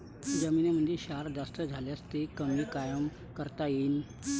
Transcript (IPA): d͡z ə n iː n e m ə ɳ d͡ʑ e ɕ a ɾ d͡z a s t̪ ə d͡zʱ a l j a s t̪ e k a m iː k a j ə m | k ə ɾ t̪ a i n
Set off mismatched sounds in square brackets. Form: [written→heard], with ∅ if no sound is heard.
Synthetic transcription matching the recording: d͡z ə [n→m] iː n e m ə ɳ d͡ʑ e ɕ a ɾ d͡z a s t̪ ə d͡zʱ a l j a s t̪ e k [a→ə] m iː k a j ə m | k ə ɾ t̪ a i n